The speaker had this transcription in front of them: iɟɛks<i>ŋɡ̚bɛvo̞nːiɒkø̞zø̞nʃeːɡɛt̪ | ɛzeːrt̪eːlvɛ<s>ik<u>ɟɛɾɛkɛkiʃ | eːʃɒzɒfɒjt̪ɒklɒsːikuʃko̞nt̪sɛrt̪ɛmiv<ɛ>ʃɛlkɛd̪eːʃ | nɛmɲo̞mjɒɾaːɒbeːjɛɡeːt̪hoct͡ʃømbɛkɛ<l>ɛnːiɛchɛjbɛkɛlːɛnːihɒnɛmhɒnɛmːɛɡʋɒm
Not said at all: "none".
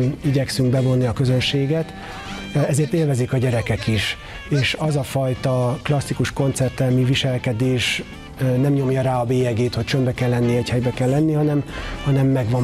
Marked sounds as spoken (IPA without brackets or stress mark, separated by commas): y, z, ɒ, i, lː